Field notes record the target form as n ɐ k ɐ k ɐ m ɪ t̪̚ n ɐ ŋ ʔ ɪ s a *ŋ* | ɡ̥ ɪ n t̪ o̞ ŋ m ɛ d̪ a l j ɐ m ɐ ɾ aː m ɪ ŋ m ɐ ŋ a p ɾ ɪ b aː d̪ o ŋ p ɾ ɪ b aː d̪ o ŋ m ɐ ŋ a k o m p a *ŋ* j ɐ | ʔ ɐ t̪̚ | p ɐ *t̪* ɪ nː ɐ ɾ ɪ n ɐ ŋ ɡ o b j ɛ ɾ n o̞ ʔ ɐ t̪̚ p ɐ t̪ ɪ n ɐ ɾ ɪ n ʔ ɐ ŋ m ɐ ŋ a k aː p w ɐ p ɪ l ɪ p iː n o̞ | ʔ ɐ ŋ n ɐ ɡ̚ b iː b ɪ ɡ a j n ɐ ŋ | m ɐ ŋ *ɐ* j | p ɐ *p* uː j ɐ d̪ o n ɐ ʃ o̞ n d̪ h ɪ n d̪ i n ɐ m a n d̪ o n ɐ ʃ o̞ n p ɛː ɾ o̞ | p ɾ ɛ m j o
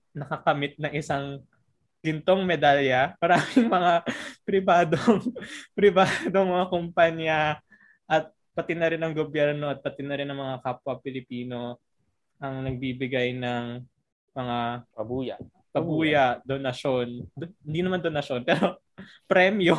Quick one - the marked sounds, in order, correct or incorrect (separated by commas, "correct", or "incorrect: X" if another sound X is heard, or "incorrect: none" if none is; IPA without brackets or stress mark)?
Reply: correct, incorrect: ɲ, correct, incorrect: a, incorrect: b